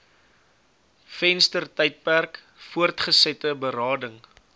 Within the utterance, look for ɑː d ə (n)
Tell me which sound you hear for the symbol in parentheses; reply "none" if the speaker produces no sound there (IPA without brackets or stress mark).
ŋ